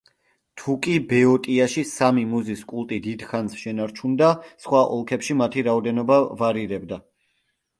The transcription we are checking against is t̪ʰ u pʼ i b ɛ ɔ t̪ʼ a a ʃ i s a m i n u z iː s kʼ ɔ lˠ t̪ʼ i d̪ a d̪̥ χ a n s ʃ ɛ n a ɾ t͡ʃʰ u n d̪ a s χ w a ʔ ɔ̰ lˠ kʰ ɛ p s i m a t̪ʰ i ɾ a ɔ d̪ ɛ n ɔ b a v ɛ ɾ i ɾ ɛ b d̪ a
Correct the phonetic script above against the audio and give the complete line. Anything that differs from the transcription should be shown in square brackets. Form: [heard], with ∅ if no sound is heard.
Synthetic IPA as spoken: t̪ʰ u [kʼ] i b ɛ ɔ t̪ʼ [i] a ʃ i s a m i [m] u z [i] s kʼ [u] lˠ t̪ʼ i d̪ [i] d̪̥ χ a n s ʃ ɛ n a ɾ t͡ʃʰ u n d̪ a s χ w a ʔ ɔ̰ lˠ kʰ ɛ p [ʃ] i m a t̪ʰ i ɾ a ɔ d̪ ɛ n ɔ b a v [a] ɾ i ɾ ɛ b d̪ a